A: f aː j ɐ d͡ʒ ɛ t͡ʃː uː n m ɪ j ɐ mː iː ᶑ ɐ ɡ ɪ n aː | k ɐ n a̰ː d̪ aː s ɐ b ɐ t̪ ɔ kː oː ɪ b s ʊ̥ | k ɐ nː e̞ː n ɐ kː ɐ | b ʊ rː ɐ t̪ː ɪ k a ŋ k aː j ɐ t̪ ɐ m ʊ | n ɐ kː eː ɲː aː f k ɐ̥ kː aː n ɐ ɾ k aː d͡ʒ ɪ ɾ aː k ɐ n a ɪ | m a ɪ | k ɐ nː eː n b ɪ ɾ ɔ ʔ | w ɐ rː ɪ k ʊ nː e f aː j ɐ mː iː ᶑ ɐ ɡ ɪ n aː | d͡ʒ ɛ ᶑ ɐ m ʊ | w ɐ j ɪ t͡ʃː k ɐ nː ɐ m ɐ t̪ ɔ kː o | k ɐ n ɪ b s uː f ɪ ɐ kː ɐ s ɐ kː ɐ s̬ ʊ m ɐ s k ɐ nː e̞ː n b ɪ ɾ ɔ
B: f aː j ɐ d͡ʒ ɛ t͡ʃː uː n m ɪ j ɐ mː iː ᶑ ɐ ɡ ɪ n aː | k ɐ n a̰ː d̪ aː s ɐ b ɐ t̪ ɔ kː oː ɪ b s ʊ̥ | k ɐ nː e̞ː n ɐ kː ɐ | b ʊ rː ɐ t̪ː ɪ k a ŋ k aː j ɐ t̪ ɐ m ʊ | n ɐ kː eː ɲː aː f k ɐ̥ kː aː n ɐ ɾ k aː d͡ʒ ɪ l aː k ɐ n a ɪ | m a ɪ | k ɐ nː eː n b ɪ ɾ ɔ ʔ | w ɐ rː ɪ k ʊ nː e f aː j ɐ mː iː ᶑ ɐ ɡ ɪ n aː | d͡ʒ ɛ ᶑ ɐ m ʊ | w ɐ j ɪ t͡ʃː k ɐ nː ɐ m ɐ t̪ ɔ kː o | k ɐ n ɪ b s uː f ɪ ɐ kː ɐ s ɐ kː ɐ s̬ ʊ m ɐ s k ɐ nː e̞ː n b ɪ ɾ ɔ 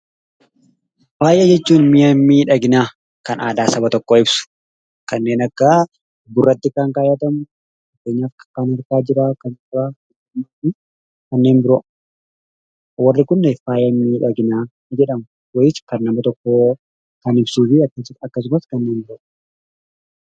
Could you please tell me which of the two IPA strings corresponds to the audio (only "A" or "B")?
A